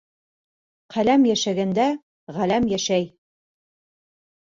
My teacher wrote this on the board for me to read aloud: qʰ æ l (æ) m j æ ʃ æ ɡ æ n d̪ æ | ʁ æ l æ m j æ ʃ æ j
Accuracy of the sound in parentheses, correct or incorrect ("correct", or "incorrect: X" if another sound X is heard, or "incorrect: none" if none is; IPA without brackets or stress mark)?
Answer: correct